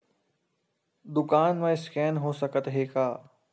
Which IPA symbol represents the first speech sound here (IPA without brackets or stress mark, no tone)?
d̪